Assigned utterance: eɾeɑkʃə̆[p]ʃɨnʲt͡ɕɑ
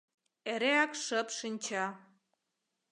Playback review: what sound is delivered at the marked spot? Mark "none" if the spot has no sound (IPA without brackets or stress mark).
p